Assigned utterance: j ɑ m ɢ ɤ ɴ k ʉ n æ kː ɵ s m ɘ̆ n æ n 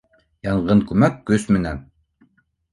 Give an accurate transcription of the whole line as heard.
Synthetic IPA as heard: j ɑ ɴ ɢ ɤ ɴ k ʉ m æ kː ɵ s m ɘ̆ n æ n